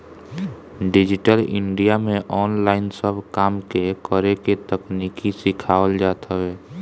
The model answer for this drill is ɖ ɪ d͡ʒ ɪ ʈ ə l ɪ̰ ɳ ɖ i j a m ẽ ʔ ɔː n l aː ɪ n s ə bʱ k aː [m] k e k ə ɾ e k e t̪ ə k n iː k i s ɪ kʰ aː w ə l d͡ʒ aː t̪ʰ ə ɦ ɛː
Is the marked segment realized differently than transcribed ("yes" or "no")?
no